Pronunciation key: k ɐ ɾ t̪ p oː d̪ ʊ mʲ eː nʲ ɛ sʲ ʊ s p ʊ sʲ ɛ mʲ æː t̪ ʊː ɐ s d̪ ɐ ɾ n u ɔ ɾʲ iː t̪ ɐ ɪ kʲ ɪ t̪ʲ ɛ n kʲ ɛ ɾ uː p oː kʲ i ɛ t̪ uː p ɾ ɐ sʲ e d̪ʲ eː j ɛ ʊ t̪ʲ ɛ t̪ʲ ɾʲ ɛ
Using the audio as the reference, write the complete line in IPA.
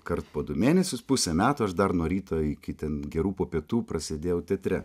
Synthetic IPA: k ɐ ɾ t̪ p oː d̪ ʊ mʲ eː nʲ ɛ sʲ ʊ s p ʊ sʲ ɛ mʲ æː t̪ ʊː ɐ ʃ d̪ ɐ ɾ n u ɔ ɾʲ iː t̪ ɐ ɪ kʲ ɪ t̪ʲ ɛ n ɡʲ ɛ ɾ uː p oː pʲ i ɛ t̪ uː p ɾ ɐ sʲ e d̪ʲ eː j ɛ ʊ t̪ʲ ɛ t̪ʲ ɾʲ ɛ